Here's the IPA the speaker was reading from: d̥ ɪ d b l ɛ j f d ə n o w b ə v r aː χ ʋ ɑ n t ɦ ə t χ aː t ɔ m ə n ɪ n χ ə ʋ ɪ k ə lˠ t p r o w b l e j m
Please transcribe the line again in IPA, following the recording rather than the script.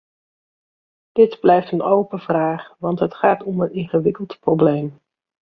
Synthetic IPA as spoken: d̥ ɪ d b l ɛ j f t ə n o w p ə v r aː χ ʋ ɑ n t ɦ ə t χ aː t ɔ m ə n ɪ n χ ə ʋ ɪ k ə lˠ t p r o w b l e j m